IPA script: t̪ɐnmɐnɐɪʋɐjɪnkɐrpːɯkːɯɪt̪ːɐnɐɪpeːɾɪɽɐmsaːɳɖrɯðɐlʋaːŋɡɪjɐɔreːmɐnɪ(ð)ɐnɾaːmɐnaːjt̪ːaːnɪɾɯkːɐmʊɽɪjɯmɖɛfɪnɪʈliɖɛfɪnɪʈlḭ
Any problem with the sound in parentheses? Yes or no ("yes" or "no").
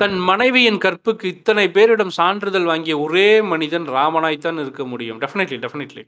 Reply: no